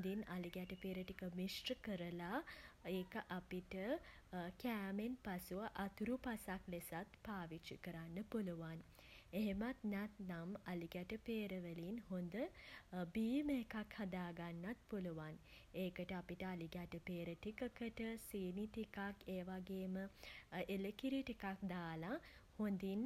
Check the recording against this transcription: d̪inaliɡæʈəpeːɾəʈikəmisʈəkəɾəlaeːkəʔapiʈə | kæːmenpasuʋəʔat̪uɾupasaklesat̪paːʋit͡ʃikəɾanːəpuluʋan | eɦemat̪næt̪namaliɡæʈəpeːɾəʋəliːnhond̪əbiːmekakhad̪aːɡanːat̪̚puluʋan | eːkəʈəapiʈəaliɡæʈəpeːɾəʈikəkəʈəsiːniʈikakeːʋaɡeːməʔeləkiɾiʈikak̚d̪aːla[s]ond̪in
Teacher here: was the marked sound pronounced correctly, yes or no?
no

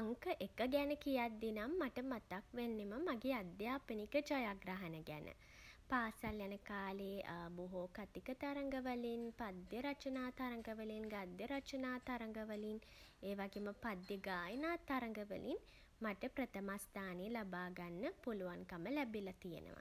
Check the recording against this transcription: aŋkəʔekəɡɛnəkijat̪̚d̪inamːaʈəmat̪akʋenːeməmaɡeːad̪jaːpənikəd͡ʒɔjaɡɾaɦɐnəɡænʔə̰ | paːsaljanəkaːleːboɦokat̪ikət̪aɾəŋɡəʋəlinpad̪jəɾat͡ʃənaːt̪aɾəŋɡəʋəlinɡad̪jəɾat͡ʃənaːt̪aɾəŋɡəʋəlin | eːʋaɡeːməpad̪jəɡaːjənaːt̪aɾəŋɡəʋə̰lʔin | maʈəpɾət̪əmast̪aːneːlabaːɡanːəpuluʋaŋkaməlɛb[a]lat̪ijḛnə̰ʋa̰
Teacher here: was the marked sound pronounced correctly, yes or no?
no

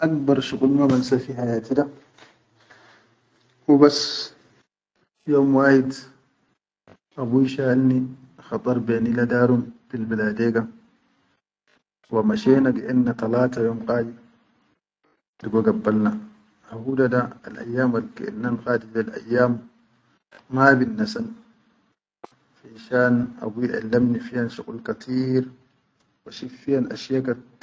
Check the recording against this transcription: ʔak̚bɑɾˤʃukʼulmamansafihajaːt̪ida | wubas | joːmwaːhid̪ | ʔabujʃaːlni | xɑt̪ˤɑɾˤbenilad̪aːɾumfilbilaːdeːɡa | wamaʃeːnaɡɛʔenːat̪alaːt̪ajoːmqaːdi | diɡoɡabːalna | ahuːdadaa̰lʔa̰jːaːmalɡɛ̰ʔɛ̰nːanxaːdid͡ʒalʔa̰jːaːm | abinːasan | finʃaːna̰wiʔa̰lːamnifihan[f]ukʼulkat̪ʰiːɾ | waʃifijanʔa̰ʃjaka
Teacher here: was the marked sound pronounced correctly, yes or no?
no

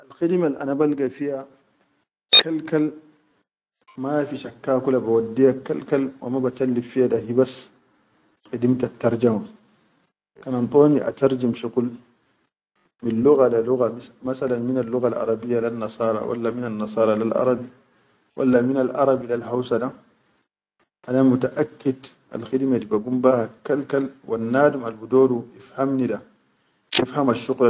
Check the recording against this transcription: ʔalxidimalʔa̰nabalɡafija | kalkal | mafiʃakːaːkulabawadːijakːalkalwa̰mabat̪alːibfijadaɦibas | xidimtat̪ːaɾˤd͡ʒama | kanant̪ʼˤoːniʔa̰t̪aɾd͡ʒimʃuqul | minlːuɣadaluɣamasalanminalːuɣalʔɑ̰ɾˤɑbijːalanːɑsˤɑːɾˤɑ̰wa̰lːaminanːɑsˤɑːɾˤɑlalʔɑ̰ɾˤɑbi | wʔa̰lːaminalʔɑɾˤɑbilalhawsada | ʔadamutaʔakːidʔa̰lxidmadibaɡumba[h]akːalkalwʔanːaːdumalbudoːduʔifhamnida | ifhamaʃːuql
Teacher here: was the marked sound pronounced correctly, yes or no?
yes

